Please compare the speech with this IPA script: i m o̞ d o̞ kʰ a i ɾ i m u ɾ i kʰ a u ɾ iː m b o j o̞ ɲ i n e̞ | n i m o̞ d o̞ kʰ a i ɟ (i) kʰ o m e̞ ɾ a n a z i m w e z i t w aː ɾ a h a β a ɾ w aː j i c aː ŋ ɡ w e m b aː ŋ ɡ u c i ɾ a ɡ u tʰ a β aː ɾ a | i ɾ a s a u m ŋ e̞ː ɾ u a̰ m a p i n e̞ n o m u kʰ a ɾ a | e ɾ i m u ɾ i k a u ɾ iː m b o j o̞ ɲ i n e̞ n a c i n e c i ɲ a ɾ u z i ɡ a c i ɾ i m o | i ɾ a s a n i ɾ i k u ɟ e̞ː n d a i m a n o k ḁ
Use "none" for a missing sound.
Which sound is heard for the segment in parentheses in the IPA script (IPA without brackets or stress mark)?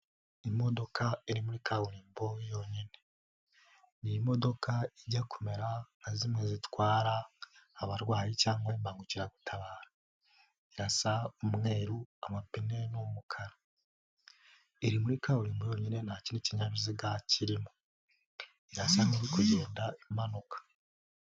a